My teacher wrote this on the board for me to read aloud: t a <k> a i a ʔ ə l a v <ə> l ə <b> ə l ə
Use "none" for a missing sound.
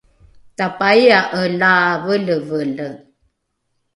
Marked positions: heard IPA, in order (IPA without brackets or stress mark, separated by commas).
p, ə, v